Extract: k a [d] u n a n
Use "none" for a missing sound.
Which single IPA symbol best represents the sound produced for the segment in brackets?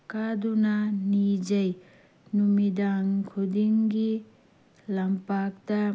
d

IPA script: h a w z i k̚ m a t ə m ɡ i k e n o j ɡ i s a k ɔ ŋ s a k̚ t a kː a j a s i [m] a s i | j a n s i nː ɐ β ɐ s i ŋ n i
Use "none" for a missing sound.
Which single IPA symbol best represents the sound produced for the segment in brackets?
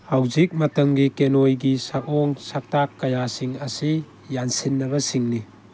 ŋ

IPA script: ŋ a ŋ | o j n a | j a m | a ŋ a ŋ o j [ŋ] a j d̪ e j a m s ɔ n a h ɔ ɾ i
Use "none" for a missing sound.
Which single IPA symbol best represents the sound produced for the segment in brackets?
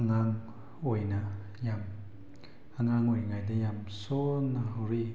ŋ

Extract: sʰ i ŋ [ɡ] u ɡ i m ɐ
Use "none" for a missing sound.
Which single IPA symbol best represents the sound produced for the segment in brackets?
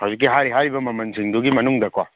d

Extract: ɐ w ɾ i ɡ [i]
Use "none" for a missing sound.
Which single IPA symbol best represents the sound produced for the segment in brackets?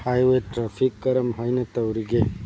e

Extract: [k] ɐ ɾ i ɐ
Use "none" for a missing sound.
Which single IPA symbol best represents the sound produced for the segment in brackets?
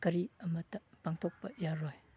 k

